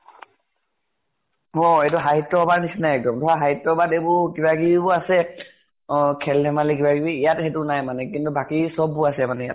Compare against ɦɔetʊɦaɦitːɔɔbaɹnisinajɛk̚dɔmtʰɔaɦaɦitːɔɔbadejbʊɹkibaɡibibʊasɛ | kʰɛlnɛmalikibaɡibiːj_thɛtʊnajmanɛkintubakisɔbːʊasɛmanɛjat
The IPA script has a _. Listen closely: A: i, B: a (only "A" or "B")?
B